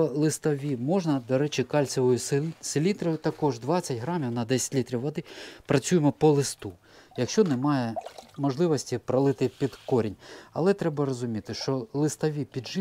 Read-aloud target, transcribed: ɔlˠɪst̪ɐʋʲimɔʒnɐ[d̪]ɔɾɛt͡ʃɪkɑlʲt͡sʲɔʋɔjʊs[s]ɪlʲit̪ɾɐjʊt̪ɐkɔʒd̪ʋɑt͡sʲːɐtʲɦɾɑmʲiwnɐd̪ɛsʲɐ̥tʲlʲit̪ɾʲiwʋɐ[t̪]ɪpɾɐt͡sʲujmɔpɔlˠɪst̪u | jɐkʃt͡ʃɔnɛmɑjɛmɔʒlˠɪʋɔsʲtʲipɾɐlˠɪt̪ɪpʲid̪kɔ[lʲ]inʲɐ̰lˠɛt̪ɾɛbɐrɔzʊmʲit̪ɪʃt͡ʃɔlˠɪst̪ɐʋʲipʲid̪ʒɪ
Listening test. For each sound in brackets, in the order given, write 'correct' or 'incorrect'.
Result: correct, correct, incorrect: d̪, incorrect: ɾʲ

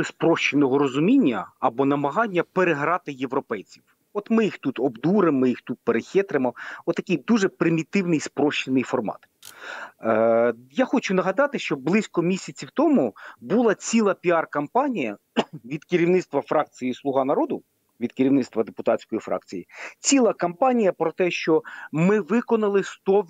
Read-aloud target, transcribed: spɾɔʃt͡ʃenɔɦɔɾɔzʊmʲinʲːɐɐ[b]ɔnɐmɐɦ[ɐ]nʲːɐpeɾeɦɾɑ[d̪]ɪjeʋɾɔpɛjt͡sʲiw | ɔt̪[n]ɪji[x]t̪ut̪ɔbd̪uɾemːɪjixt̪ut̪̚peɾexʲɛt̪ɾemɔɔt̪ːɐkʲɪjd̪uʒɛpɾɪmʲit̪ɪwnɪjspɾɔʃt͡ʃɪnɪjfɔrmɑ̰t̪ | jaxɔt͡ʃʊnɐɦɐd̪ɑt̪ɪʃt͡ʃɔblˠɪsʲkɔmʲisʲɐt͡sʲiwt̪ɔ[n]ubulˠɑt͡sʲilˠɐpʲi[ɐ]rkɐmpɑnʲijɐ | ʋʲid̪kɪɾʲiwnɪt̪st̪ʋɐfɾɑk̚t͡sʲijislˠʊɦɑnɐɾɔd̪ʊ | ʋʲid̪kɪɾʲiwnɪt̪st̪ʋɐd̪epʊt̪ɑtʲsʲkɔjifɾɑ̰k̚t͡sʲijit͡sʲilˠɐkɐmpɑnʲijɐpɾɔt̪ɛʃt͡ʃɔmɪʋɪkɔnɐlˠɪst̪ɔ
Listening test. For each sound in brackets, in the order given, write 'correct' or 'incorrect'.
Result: correct, incorrect: ɑ, incorrect: t̪, incorrect: m, correct, incorrect: m, incorrect: ɑ

